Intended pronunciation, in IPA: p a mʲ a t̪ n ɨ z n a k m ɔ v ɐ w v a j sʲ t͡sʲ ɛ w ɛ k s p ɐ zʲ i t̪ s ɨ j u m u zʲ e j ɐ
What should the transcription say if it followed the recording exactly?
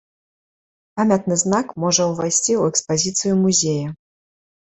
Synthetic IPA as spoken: p a mʲ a t̪ n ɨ z n a k m ɔ ʐ ɐ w v a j sʲ t͡sʲ i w ɛ k s p a zʲ i t̪ s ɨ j u m u zʲ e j ɐ